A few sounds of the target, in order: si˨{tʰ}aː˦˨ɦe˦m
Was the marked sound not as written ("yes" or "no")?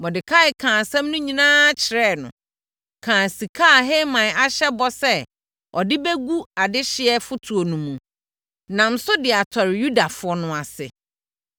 yes